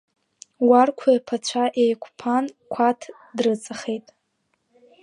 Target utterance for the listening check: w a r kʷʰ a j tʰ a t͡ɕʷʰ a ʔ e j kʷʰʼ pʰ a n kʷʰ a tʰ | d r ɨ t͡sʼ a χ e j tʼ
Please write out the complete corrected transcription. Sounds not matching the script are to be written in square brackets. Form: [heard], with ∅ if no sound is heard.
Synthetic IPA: w a r kʷʰ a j [pʰ] a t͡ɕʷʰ a ʔ e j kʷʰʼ pʰ a n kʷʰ a tʰ | d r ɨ t͡sʼ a χ e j tʼ